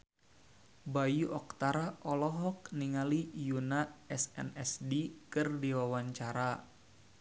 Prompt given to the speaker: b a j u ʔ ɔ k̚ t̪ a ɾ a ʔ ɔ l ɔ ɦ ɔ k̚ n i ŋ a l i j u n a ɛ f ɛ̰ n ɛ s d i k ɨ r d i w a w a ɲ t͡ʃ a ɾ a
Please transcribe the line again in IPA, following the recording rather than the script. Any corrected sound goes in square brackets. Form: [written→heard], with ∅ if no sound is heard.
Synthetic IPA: b a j u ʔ ɔ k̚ t̪ a ɾ a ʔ ɔ l ɔ ɦ ɔ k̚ n i ŋ a l i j u n a ɛ [f→s] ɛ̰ n ɛ s d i k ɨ r d i w a w a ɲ t͡ʃ a ɾ a